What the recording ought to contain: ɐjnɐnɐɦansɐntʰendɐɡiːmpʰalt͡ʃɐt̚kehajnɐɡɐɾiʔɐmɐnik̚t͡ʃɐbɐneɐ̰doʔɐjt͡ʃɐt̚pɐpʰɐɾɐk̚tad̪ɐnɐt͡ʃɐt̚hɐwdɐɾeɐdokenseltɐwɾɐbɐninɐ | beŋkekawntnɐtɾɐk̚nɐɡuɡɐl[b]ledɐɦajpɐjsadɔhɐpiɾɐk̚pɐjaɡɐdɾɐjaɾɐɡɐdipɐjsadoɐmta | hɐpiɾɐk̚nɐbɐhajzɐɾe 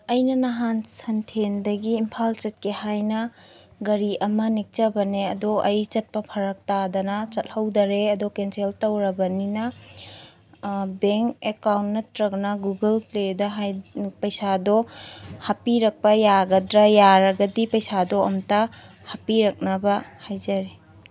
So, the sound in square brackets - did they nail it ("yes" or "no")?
no